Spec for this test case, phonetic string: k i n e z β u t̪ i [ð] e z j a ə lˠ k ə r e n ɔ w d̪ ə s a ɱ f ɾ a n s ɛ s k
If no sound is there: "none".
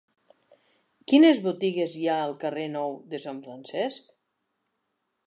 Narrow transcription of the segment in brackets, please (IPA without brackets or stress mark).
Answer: ɣ